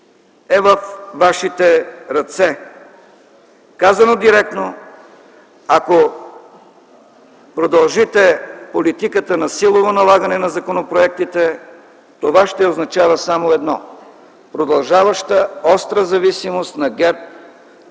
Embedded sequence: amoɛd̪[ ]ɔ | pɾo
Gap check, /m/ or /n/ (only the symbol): n